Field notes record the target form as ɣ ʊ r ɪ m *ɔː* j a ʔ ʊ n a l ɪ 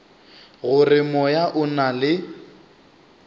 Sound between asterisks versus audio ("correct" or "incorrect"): incorrect